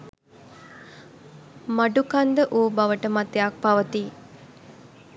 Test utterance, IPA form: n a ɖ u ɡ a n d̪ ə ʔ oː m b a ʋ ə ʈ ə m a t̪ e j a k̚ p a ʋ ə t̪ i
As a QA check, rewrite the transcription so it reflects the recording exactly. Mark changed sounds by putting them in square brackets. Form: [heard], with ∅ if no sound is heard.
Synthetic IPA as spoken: [m] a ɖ u [k] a n d̪ ə ʔ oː [∅] b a ʋ ə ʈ ə m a t̪ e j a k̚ p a ʋ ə t̪ i